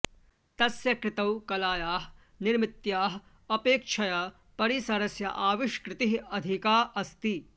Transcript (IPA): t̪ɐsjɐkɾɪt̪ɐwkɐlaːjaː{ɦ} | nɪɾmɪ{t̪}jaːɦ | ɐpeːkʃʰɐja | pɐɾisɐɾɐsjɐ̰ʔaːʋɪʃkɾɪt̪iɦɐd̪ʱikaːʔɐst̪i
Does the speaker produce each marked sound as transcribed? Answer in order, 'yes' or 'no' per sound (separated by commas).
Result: yes, yes